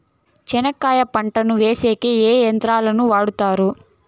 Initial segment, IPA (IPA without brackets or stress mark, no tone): t͡ʃ